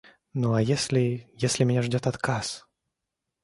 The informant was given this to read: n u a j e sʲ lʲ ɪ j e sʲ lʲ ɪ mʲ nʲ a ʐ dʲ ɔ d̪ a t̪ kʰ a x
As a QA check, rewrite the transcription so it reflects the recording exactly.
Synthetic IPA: n u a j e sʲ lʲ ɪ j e sʲ lʲ ɪ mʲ nʲ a ʐ dʲ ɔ t̪ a t̪ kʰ a s